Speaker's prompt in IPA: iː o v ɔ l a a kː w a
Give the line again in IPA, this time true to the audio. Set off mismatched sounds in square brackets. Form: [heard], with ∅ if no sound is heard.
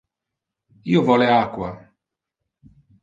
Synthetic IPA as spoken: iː o v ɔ l [e] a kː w a